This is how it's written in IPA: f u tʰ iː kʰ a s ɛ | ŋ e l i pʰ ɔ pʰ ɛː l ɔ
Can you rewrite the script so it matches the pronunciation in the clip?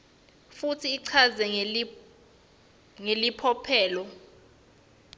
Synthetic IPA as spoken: f u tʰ iː ǀʰ a z ɛ | ŋ e l i pʰ ɔ pʰ ɛː l ɔ

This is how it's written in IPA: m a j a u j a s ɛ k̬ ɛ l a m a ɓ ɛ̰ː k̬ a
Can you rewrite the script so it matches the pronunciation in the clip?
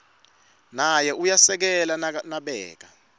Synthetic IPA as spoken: n a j ɛ u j a s ɛ k̬ ɛ l a n a ɓ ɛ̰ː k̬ a

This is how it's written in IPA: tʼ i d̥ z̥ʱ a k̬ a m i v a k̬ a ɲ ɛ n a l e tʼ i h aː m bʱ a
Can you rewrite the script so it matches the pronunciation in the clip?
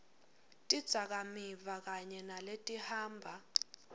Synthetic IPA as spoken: tʼ i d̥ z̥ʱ a k̬ a m i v a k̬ a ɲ ɛ n a l e tʼ i h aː m bʱ a

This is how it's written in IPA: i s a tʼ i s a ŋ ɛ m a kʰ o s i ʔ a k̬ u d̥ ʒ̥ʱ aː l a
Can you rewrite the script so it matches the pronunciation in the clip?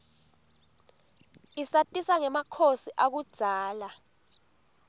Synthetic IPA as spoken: i s a tʼ i s a ŋ ɛ m a kʰ o s i ʔ a k̬ u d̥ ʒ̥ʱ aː l a

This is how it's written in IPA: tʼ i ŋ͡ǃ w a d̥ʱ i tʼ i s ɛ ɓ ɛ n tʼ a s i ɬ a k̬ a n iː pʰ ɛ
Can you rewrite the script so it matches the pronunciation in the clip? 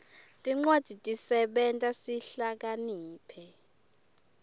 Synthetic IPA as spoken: tʼ i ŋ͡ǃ w a d̥ʱ i tʼ i s ɛ ɓ ɛ n tʼ a s i ɬ a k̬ a n iː pʰ ɛ

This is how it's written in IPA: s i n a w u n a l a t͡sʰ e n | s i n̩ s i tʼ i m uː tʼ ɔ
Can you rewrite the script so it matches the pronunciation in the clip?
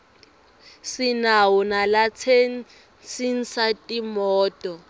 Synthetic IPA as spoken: s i n a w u n a l a t͡sʰ e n | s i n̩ s a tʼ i m ɔː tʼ ɔ

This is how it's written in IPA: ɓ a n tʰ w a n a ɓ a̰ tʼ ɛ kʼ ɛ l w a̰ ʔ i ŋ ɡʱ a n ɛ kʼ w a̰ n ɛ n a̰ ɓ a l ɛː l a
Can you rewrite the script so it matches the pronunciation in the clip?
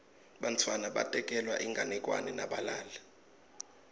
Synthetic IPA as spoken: ɓ a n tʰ w a n a ɓ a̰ tʼ ɛ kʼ ɛ l w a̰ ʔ i ŋ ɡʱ a n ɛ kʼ w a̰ n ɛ n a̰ ɓ a l aː l a

